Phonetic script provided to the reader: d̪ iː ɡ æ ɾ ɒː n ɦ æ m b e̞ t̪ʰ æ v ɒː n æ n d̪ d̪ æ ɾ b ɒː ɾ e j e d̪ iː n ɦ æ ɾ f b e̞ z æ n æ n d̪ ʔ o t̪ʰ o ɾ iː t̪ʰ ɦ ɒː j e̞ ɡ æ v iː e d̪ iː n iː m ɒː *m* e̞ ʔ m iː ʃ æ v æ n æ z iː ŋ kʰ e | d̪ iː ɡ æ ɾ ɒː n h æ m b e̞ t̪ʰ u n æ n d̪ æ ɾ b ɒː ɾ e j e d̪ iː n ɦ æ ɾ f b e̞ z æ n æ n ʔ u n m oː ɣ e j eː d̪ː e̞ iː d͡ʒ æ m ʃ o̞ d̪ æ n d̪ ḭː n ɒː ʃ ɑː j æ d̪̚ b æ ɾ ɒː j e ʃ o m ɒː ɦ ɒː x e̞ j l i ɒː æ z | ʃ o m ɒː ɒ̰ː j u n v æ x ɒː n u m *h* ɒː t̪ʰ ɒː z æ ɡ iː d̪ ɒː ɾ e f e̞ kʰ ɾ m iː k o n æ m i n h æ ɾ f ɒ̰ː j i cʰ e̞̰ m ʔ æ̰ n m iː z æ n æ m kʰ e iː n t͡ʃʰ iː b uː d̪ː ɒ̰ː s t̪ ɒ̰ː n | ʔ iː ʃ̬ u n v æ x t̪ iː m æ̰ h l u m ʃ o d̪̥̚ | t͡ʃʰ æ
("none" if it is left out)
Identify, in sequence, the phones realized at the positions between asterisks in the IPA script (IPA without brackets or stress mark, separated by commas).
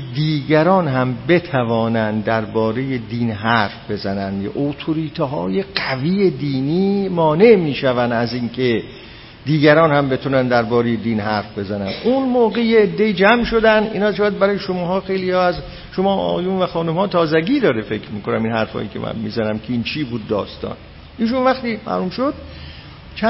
n, h